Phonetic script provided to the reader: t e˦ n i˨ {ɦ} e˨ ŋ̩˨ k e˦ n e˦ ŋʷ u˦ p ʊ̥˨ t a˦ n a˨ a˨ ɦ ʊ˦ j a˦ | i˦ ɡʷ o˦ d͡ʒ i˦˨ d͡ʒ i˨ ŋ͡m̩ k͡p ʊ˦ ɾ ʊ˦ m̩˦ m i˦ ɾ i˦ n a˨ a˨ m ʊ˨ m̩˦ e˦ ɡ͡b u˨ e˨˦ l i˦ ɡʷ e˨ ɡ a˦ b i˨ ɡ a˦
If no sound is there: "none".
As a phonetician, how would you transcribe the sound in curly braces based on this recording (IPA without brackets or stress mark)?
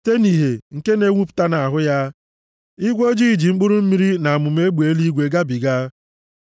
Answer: ɦ